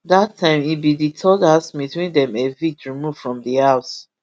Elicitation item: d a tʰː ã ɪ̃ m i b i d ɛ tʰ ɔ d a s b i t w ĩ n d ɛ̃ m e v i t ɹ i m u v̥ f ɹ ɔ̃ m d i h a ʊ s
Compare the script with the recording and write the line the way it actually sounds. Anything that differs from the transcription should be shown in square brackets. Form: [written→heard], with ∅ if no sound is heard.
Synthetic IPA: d a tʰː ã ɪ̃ m i b i d [ɛ→i] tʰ ɔ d a s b i t w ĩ n d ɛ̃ m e v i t ɹ i m u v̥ f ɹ ɔ̃ m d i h a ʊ s